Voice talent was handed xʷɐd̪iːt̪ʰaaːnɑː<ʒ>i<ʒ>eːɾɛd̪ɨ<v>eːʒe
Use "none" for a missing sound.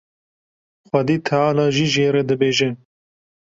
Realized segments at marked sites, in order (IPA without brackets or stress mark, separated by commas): ʒ, ʒ, b